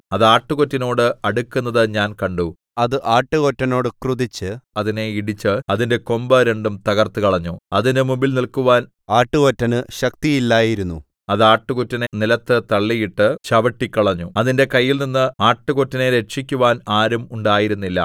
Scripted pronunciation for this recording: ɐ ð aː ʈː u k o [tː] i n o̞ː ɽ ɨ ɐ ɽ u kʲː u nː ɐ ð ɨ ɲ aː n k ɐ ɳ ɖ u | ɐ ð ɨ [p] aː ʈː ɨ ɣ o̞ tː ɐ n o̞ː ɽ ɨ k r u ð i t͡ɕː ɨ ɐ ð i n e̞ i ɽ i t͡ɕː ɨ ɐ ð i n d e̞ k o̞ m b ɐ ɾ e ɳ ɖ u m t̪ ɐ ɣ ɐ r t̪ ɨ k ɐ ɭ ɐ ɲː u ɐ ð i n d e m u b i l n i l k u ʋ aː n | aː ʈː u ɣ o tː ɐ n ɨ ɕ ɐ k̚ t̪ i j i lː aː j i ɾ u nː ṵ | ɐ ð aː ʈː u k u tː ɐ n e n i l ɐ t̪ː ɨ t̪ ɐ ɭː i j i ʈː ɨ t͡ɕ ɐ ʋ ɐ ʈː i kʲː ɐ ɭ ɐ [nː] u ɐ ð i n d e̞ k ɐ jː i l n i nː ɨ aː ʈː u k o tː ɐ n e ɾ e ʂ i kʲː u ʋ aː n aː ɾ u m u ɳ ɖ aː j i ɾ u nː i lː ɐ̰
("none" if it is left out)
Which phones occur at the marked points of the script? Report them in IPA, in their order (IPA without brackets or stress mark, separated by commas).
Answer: tː, ʔ, ɲː